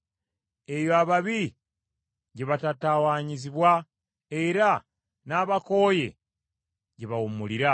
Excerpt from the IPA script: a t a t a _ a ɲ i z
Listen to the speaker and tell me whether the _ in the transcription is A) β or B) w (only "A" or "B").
B